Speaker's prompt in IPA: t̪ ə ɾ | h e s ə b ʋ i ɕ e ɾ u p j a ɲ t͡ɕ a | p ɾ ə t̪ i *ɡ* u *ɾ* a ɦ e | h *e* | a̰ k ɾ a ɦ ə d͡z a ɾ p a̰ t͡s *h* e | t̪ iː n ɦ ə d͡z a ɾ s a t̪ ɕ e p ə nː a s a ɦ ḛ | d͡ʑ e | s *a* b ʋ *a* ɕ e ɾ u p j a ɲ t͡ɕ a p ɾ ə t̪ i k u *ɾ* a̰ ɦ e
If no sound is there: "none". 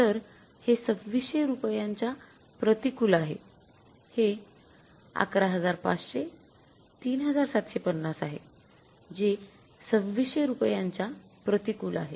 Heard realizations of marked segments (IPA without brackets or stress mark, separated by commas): k, l, e, ɕ, ə, i, l